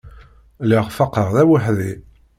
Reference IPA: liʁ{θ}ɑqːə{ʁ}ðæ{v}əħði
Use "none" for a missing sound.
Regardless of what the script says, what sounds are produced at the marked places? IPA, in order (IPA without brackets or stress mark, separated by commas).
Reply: f, ʁ, w